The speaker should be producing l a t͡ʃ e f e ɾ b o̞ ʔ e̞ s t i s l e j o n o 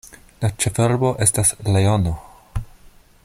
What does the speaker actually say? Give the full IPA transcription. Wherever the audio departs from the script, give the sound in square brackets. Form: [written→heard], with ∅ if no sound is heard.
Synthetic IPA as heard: l a t͡ʃ e f e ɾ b o̞ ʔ e̞ s t [i→a] s l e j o n o